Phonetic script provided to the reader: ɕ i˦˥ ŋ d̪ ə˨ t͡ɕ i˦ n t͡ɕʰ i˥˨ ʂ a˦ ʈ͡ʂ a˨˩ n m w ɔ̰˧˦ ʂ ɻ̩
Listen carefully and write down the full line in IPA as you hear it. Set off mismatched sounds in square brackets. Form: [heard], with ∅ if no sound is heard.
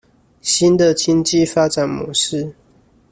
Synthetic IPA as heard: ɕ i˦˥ [n] d̪ ə˨ t͡ɕ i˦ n [t͡ɕ] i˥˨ [f] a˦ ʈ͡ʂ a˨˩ n m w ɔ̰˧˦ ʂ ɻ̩